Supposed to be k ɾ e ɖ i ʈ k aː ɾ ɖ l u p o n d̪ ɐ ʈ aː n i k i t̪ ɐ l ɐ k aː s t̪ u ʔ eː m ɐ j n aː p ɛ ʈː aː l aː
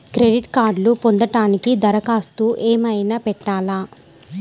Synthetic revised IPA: k ɾ e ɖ i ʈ k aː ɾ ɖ l u p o n d̪ ɐ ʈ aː n i k i d̪ ɐ ɾ ɐ k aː s t̪ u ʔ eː m ɐ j n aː p ɛ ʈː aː l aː